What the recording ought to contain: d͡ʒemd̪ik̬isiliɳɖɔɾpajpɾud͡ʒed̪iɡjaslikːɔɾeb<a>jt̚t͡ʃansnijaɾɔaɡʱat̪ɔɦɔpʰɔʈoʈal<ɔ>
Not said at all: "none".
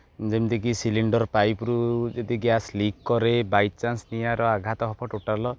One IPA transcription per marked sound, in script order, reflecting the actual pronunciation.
a, ɔ

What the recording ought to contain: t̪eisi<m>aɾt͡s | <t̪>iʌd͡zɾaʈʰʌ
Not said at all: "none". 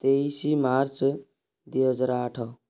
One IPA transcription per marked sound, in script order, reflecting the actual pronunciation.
m, d̪

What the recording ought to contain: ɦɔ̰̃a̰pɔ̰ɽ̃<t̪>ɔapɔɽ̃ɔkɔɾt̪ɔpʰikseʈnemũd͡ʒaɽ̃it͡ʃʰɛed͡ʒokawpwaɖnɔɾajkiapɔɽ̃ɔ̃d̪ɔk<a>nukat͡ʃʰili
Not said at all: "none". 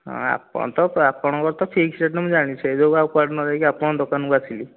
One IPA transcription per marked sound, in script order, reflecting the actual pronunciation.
t̪, a

